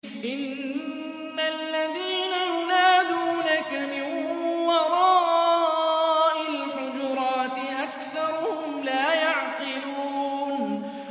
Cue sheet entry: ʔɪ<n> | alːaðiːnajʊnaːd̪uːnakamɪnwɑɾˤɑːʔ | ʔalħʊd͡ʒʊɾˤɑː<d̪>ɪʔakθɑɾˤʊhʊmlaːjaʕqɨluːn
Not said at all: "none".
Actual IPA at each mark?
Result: nː, t̪

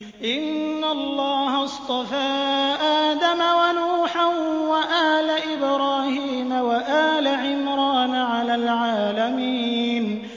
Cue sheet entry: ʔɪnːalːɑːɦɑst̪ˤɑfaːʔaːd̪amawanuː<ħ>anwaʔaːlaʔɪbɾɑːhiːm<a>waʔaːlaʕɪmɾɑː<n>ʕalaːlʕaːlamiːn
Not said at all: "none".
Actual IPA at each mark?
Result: ħ, a, n

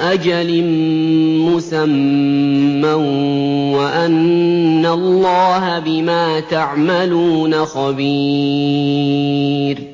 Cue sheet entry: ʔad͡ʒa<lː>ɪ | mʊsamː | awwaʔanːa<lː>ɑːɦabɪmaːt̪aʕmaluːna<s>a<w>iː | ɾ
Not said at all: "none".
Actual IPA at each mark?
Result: l, lː, x, b

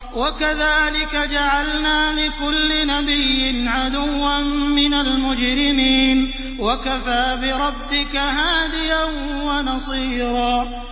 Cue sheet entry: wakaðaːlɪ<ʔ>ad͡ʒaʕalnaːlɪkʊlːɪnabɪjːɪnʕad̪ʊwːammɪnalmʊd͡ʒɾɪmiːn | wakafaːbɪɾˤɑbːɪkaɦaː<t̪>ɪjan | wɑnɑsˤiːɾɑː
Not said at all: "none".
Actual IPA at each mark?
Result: k, d̪

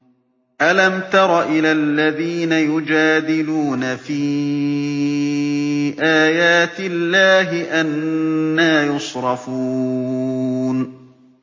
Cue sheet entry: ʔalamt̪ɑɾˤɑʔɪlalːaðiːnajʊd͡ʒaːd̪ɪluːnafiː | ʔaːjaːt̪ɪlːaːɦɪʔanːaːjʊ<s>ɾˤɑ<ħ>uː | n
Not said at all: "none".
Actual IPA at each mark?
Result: s, f

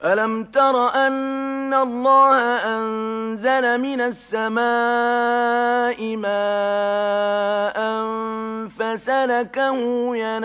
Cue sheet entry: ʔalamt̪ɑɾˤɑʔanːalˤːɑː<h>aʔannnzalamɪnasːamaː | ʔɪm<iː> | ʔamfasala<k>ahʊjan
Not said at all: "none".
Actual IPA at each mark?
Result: h, aː, k

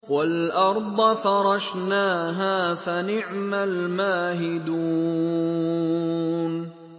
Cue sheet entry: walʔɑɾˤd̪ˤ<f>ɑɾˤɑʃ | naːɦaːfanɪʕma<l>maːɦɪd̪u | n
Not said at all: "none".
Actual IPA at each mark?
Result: f, l

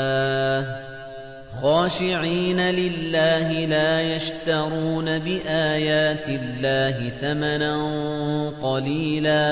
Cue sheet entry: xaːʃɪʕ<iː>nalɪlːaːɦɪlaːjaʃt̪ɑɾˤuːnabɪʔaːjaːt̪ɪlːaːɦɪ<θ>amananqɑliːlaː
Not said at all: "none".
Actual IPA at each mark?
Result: iː, θ

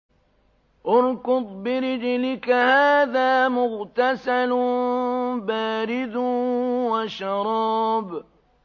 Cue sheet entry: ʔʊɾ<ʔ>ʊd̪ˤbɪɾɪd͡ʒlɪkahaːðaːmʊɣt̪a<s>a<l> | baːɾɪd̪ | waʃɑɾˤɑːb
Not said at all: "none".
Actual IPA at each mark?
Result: k, s, l

